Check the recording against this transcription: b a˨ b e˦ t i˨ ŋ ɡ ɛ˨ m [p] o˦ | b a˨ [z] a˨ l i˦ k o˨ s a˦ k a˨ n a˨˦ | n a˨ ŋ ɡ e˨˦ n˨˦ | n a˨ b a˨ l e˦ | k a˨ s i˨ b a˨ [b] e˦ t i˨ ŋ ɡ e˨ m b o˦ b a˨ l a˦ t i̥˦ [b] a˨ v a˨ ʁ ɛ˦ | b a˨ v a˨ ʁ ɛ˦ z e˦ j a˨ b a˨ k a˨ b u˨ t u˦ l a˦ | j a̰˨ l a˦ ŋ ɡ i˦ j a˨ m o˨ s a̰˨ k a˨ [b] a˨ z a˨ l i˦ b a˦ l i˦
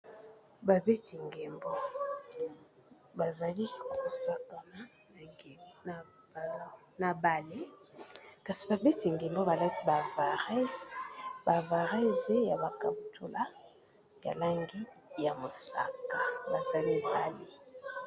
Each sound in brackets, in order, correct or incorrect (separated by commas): incorrect, correct, correct, correct, correct